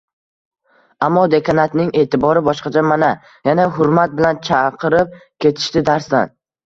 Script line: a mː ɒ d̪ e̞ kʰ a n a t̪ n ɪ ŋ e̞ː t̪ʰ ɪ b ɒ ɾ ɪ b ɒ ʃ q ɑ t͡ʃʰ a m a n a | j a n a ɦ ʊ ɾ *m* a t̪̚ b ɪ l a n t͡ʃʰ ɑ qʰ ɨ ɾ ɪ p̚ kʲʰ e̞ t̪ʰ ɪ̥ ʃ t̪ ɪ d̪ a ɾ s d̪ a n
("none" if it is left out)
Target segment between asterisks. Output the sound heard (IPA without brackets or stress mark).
m